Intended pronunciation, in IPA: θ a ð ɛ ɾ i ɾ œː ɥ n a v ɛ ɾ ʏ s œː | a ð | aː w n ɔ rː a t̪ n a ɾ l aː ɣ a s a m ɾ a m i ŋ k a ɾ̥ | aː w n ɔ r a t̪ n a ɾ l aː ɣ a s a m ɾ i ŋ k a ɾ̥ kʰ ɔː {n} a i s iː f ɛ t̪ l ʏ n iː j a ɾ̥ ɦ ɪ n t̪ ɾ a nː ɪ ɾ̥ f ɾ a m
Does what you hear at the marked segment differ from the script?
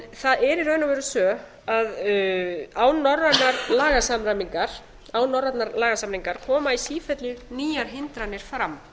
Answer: yes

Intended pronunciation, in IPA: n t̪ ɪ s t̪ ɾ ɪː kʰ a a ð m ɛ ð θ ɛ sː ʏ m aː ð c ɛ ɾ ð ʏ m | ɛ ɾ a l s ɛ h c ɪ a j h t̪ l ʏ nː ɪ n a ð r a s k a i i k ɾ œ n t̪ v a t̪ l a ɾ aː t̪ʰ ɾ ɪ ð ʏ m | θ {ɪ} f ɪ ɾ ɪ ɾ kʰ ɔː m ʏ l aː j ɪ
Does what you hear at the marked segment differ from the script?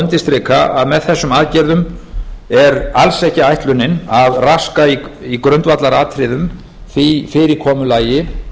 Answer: yes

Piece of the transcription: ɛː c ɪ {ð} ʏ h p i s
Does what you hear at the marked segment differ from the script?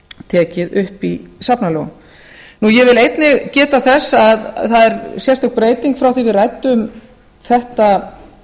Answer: no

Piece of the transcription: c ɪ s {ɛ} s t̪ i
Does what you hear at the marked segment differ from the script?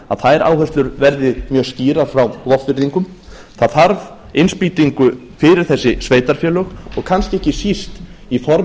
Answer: yes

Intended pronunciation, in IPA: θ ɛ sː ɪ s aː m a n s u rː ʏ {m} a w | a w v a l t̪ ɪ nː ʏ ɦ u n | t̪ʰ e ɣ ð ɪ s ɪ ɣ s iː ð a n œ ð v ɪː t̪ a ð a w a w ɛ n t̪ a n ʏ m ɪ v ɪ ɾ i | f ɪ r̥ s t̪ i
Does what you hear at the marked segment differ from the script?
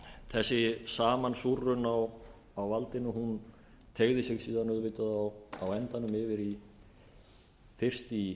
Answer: yes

